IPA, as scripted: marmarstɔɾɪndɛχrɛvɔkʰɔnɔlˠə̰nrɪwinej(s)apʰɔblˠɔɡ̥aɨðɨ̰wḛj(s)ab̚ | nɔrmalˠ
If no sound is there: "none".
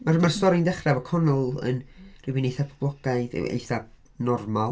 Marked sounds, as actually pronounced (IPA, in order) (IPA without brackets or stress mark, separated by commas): θ, θ